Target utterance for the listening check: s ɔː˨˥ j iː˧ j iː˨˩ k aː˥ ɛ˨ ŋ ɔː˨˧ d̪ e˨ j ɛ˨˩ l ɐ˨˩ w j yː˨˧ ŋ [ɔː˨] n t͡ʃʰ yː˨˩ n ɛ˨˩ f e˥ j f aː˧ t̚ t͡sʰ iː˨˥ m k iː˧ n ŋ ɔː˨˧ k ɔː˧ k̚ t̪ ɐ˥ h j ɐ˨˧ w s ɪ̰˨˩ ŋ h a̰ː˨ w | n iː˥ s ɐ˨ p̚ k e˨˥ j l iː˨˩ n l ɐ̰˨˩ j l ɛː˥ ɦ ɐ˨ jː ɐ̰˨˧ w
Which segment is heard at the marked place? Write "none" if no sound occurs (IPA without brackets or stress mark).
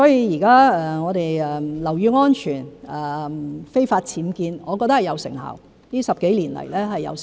ɔː˥